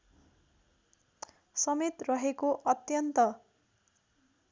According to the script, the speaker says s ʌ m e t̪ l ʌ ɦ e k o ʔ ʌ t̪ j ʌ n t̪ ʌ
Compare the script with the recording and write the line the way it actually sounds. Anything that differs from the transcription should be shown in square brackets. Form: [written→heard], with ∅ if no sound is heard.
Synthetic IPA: s ʌ m e t̪ [l→r] ʌ ɦ e k o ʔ ʌ t̪ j ʌ n t̪ ʌ